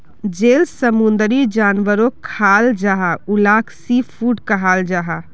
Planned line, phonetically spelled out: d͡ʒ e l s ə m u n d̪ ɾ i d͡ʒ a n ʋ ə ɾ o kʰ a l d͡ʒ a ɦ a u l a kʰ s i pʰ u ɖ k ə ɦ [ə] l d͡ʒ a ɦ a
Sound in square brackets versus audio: incorrect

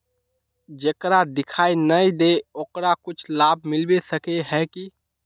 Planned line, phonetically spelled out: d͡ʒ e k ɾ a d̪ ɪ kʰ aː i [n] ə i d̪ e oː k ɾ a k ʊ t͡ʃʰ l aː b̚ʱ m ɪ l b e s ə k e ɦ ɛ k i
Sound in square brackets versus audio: correct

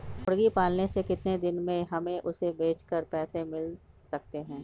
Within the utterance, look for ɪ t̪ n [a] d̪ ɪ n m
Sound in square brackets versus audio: incorrect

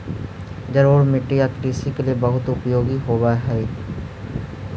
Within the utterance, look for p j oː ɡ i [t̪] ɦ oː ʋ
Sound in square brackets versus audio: incorrect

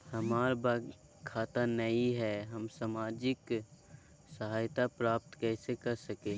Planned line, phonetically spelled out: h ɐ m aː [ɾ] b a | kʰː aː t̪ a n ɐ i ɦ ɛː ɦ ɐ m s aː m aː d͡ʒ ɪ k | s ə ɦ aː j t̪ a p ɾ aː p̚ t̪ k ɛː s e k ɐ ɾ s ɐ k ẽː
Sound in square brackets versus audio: correct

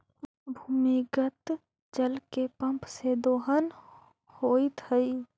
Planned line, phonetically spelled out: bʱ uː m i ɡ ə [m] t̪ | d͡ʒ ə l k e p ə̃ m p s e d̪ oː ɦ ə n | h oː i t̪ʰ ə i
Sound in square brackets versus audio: incorrect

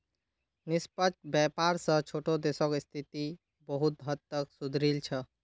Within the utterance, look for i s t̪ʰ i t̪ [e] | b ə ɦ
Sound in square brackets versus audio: incorrect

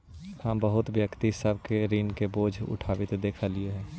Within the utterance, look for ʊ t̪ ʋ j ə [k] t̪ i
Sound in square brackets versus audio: correct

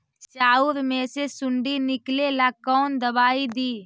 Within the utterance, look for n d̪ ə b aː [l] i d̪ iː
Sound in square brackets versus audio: incorrect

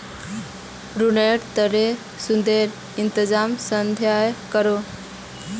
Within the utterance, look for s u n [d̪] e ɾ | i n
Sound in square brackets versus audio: correct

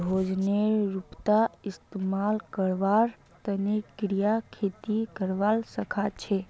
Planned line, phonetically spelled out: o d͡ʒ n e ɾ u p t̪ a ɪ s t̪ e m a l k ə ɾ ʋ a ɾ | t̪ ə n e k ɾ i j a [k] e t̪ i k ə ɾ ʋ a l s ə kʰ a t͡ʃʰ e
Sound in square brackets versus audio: incorrect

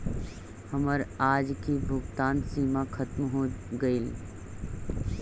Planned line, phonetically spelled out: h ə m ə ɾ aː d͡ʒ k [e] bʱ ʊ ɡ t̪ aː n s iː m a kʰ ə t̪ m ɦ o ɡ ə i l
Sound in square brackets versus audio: incorrect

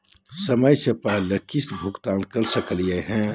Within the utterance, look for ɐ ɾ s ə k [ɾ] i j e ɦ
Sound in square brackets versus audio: incorrect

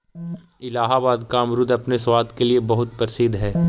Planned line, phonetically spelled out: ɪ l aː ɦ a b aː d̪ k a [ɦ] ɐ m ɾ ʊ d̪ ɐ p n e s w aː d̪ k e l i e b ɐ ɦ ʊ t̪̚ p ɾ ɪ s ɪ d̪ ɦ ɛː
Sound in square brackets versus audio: incorrect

